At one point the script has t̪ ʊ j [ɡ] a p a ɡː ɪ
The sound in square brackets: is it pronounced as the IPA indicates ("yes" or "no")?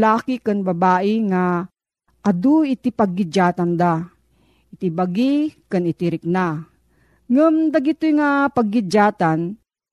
no